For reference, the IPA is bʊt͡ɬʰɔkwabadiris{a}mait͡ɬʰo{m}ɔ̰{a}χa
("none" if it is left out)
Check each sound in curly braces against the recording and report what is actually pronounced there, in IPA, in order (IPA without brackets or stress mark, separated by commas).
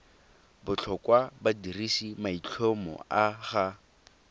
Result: i, m, a